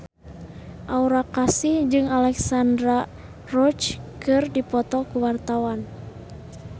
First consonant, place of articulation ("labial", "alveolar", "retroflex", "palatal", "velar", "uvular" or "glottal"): glottal